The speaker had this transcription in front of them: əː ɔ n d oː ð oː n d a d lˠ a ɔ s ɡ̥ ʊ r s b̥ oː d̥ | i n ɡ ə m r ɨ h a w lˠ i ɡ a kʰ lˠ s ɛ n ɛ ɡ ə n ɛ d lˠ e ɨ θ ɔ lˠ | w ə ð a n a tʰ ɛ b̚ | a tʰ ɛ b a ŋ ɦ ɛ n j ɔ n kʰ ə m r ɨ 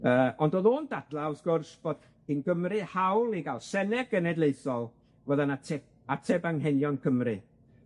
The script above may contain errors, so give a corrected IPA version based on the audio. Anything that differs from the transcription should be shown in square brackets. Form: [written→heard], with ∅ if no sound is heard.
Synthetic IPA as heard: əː ɔ n d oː ð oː n d a d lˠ a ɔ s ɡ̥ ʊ r s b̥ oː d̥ | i n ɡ ə m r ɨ h a w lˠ i ɡ a [kʰ→∅] lˠ s ɛ n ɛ ɡ ə n ɛ d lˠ e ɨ θ ɔ lˠ | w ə ð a n a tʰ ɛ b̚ | a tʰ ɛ b a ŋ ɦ ɛ n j ɔ n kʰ ə m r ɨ